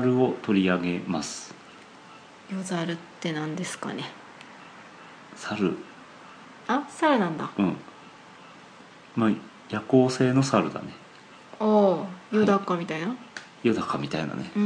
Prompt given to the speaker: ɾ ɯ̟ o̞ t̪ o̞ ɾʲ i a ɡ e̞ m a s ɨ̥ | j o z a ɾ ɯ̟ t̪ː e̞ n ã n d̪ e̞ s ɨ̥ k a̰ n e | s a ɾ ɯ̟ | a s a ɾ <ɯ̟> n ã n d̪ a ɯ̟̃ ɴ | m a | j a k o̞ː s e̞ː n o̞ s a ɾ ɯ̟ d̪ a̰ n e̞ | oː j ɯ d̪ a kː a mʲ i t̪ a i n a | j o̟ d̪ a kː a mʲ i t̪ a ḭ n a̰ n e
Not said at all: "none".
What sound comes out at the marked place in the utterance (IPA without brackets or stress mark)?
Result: ɯ̟